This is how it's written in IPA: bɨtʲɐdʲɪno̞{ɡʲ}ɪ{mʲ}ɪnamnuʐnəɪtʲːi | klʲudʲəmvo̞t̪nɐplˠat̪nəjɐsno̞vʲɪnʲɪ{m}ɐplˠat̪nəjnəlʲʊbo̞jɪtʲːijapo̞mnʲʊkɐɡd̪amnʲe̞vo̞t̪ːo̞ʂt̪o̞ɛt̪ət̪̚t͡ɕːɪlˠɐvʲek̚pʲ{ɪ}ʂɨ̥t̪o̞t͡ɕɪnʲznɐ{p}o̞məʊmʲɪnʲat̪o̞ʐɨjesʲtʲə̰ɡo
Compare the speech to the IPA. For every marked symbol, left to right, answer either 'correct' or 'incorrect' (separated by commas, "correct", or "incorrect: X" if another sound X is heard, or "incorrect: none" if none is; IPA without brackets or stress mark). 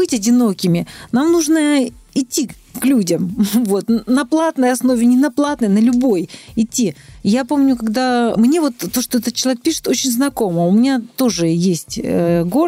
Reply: incorrect: kʲ, correct, incorrect: n, incorrect: i, incorrect: k